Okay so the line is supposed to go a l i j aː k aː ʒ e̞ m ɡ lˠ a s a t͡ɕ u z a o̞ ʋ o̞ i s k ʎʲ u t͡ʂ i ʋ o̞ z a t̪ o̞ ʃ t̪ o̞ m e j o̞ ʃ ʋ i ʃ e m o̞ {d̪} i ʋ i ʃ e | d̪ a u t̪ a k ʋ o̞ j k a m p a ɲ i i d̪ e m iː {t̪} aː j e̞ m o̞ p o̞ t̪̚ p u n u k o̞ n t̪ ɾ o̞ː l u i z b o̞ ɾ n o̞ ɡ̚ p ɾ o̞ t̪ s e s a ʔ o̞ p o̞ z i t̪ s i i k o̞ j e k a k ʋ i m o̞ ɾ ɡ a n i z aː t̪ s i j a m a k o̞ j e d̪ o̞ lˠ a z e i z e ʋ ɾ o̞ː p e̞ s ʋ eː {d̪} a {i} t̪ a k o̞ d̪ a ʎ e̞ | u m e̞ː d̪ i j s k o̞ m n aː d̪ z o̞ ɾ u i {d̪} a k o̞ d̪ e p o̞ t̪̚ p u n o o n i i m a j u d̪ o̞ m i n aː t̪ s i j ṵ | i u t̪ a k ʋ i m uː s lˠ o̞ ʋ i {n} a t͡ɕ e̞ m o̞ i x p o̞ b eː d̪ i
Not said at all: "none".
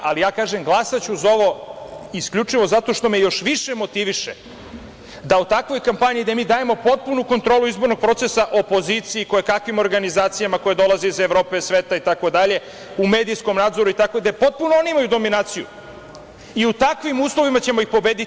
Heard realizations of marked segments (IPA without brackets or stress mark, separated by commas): t̪, d̪, t̪, i, t̪, m